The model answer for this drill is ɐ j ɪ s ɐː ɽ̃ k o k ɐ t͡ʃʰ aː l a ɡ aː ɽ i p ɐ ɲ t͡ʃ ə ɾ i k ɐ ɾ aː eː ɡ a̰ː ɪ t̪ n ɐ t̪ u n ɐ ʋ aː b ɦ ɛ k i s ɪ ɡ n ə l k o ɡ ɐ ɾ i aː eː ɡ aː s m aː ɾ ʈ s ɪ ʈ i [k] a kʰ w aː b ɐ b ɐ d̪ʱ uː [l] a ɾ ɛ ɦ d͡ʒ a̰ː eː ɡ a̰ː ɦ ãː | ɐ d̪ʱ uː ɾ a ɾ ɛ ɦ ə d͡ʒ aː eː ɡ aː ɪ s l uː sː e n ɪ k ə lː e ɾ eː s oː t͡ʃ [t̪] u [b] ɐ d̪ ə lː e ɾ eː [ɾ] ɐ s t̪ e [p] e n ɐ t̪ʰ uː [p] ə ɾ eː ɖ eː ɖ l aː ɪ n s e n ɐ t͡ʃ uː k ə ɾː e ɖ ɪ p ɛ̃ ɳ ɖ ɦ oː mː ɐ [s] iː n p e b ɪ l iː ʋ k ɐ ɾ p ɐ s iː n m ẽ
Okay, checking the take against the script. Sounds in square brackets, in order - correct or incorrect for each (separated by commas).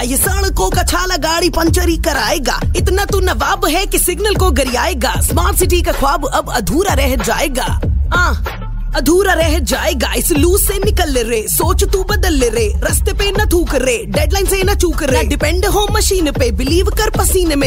correct, incorrect, correct, correct, correct, correct, incorrect, incorrect